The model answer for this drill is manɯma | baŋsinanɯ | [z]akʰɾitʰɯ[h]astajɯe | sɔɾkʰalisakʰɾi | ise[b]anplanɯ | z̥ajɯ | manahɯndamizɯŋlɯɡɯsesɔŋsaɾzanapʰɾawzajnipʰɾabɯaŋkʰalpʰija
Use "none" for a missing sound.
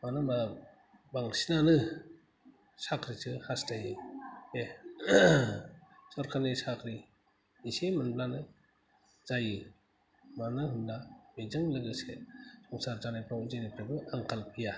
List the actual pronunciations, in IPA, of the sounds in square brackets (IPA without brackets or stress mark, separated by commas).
s, h, m